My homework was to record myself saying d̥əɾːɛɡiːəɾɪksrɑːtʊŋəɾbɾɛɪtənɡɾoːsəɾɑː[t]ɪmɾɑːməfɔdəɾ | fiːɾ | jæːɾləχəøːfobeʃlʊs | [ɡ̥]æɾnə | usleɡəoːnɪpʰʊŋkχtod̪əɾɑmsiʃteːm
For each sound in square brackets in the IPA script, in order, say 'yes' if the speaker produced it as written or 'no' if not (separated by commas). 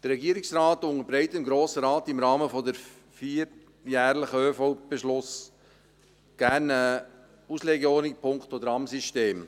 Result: yes, yes